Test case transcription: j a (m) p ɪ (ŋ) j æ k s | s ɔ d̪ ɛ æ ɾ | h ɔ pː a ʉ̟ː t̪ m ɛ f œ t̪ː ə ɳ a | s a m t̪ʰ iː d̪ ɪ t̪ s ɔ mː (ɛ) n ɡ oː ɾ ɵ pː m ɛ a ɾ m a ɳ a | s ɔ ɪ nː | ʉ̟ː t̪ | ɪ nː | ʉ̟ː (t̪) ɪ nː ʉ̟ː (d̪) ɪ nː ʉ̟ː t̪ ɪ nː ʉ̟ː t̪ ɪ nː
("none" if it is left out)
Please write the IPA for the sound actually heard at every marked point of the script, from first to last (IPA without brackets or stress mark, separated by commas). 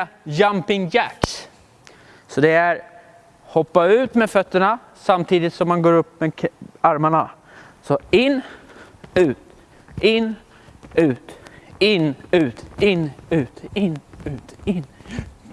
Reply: m, ŋ, a, t̪, t̪